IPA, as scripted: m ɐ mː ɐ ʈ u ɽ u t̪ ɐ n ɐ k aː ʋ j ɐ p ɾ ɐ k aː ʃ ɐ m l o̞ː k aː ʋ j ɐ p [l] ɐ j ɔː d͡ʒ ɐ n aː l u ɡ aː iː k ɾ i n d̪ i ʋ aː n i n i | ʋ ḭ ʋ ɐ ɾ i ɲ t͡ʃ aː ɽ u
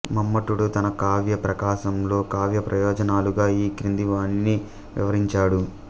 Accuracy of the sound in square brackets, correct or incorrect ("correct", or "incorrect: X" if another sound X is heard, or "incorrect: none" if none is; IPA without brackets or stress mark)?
incorrect: ɾ